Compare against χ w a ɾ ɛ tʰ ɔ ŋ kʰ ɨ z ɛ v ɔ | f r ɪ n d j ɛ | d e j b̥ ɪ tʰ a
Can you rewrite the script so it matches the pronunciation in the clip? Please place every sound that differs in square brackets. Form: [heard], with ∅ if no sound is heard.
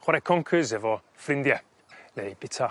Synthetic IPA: χ w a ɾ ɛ [kʰ] ɔ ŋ kʰ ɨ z ɛ v ɔ | f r ɪ n d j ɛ | [n] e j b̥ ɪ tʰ a